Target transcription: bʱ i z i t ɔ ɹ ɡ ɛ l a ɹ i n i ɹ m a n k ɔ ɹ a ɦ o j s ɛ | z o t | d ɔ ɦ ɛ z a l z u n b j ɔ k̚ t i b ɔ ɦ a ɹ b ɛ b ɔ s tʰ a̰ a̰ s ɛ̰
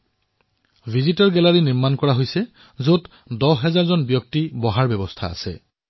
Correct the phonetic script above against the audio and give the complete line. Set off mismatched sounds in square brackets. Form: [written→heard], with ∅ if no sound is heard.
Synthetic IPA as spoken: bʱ i z i t ɔ ɹ ɡ ɛ l a ɹ i n i ɹ m a n k ɔ ɹ a ɦ o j s ɛ | z o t | d ɔ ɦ ɛ z a [l→ɹ] z [u→ɔ] n b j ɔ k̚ t i b ɔ ɦ a ɹ b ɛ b ɔ s tʰ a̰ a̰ s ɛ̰

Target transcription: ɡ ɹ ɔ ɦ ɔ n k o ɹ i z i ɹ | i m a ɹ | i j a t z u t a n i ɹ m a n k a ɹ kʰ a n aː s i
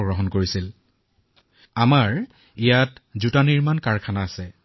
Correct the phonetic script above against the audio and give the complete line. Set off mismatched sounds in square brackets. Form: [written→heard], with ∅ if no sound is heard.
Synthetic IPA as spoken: ɡ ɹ ɔ ɦ ɔ n k o ɹ i [z→s] i [ɹ→l] | [i→a] m a ɹ | i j a t z u t a n i ɹ m a n k a ɹ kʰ a n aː s [i→ɛ]

